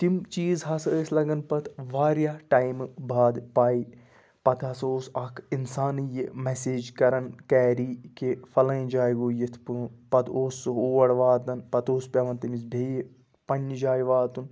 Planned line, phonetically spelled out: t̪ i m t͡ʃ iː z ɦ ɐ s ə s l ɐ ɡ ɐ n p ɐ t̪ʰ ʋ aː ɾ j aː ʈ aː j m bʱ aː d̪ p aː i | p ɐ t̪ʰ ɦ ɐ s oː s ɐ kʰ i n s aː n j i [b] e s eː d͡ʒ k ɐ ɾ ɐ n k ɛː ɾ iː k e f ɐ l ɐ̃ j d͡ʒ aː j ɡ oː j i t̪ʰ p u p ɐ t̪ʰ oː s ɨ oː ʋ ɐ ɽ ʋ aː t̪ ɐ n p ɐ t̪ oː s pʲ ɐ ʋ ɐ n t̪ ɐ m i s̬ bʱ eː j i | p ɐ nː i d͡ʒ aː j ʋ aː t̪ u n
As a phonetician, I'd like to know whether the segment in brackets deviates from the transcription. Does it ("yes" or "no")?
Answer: yes